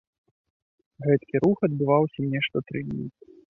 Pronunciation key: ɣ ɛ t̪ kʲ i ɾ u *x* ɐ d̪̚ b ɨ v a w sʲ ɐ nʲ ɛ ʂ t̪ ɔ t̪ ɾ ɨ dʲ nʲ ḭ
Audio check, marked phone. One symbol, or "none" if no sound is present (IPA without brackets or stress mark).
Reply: x